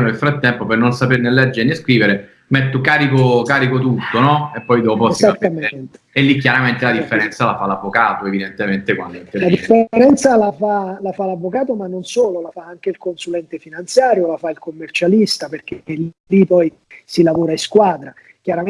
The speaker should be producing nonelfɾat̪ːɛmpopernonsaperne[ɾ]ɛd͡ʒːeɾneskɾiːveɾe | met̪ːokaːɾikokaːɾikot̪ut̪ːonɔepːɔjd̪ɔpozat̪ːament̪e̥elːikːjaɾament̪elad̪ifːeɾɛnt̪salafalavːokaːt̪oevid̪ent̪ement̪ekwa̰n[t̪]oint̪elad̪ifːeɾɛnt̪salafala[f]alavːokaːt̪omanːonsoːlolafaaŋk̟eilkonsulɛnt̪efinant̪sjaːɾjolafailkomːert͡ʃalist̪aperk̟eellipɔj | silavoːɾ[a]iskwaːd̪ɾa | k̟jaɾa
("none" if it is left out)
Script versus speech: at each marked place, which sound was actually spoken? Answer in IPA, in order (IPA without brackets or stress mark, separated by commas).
l, d̪, f, a